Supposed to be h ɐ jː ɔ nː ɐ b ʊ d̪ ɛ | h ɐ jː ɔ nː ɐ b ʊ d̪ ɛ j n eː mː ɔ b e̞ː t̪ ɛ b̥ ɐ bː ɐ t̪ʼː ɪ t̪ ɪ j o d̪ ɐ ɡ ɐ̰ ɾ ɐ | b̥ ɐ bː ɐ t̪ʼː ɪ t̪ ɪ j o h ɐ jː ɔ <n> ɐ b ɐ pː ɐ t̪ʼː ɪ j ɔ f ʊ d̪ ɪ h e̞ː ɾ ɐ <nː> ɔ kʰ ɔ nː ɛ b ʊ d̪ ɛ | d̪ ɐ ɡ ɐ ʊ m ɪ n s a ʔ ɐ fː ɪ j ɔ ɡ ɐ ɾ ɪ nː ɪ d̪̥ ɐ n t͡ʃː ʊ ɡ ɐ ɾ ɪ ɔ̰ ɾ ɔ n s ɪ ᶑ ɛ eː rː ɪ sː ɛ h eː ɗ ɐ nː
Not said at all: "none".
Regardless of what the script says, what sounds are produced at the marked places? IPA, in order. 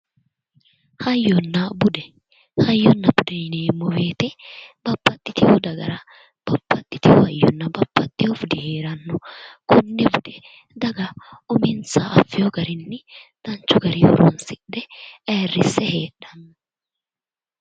nː, nː

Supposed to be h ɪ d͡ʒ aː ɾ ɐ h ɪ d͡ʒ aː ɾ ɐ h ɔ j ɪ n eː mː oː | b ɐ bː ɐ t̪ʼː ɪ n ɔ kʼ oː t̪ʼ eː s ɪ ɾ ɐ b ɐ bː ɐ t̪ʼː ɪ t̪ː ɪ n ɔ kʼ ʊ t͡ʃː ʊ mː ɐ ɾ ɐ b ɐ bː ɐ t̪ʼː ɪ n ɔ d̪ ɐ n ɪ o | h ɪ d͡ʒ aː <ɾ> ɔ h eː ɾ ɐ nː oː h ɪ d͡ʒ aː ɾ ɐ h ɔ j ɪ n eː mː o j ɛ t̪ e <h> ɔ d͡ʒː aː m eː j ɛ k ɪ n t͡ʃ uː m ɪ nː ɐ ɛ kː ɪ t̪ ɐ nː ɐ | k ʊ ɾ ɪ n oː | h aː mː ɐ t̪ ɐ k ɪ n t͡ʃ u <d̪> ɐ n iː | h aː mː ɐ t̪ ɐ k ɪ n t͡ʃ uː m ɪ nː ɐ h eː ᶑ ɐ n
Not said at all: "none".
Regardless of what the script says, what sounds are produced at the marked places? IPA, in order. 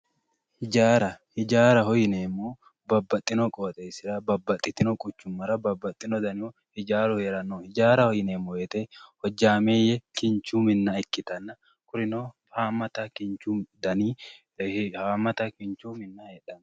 ɾ, h, d̪

